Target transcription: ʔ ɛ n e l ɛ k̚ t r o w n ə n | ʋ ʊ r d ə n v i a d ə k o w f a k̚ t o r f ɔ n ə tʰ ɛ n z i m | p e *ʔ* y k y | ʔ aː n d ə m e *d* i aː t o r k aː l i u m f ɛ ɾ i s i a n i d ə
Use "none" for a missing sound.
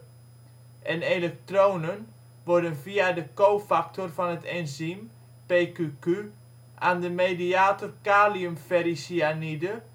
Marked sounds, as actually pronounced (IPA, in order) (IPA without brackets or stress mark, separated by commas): k, d